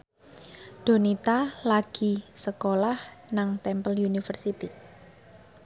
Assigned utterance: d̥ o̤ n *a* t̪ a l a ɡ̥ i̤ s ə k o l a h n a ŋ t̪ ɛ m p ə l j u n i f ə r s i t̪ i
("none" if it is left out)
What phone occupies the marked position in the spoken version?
i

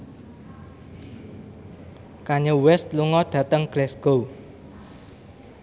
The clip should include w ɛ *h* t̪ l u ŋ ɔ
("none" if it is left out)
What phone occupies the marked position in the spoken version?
s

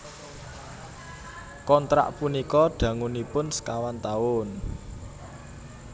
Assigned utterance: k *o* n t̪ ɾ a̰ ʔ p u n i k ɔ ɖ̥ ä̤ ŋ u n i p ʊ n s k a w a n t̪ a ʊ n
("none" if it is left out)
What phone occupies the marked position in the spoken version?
ɔ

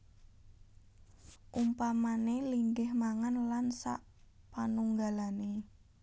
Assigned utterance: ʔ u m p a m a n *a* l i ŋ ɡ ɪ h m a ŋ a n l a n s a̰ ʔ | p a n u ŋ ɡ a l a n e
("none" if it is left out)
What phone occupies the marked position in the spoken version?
e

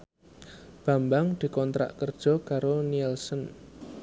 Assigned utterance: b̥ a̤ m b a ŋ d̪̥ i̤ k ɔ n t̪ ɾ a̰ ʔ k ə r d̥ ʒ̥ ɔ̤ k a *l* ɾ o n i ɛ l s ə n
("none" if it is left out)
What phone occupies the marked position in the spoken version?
none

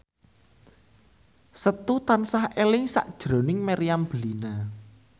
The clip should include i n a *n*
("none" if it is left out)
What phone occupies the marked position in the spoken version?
none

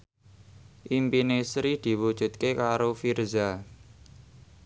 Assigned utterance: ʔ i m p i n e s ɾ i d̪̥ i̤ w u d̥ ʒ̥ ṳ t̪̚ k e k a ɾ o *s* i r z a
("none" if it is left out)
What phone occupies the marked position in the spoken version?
f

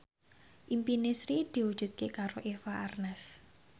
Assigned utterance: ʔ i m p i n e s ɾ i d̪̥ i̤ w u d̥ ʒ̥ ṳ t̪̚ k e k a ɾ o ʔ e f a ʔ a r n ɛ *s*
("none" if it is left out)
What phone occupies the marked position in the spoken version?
s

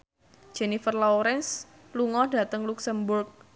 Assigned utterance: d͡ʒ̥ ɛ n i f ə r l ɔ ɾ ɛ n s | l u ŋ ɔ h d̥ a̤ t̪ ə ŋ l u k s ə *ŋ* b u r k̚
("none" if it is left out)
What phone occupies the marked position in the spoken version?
m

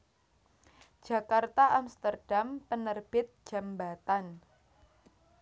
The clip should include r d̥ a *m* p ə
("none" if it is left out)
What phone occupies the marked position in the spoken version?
m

